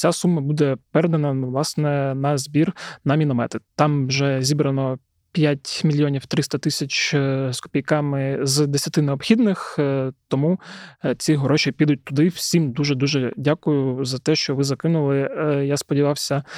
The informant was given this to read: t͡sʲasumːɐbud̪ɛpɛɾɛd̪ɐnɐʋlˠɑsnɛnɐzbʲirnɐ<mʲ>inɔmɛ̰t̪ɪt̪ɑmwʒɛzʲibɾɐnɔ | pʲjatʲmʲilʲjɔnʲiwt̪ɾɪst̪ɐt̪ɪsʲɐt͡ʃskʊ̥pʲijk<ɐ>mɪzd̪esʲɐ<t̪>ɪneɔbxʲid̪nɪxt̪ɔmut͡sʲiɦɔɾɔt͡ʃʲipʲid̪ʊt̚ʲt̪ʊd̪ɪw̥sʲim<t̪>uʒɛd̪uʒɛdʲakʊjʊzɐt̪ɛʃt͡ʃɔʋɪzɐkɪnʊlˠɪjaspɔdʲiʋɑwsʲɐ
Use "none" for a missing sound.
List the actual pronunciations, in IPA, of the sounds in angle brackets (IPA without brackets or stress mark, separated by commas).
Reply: mʲ, ɑ, t̪, d̪